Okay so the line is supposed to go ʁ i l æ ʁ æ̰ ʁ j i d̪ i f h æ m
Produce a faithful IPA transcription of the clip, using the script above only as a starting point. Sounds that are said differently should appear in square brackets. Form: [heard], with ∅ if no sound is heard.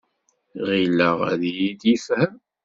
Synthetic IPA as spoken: ʁ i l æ ʁ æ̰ [ð] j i d̪ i f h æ m